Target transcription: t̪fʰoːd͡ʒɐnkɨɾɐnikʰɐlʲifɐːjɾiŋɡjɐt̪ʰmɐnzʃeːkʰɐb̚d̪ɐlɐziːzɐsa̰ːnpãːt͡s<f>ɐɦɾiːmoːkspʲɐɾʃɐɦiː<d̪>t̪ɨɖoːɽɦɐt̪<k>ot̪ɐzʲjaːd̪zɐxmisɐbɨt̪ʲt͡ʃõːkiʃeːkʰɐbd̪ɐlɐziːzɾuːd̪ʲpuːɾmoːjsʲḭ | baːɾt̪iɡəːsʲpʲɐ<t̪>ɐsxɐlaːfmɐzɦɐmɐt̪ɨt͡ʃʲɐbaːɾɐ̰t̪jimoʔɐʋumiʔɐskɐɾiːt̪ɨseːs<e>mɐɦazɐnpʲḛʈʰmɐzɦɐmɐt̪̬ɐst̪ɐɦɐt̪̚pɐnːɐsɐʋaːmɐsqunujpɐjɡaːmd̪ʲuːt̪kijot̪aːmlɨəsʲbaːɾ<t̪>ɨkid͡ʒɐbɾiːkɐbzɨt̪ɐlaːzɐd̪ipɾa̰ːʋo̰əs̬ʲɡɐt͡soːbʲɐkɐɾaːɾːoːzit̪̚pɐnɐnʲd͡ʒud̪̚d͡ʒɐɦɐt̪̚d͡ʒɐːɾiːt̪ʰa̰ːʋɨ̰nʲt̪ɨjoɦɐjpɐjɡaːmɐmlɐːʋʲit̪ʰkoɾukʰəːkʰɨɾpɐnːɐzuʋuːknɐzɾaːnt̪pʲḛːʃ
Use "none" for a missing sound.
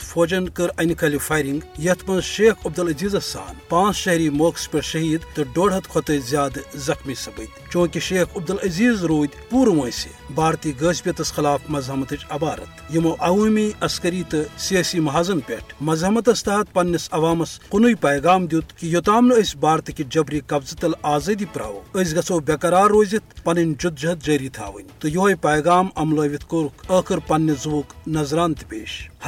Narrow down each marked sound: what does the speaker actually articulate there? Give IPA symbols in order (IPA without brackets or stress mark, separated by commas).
ʃ, d̪, kʰ, t̪, i, t̪